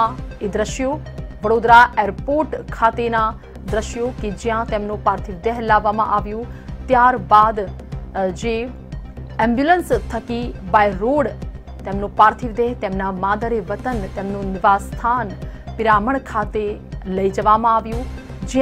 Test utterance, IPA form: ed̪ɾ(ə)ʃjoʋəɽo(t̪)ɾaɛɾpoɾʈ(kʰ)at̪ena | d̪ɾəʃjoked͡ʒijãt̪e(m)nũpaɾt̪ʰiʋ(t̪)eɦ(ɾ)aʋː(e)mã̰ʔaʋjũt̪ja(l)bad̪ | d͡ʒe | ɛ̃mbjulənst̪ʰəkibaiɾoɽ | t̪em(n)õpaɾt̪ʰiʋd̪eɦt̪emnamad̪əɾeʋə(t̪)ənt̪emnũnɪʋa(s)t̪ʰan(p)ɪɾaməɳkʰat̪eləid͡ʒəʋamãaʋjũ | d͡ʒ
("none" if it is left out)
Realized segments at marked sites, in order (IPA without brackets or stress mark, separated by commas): ə, d̪, kʰ, m, d̪, l, a, ɾ, n, t̪, s, p